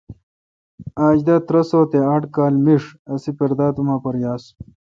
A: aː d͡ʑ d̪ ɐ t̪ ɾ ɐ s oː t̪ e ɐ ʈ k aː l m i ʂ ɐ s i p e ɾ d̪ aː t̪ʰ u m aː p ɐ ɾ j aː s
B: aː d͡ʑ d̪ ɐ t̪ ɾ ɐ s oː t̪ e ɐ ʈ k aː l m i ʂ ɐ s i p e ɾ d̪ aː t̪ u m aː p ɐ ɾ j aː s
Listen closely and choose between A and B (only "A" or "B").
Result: B